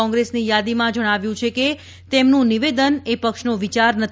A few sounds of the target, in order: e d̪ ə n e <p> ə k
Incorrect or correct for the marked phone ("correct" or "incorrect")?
correct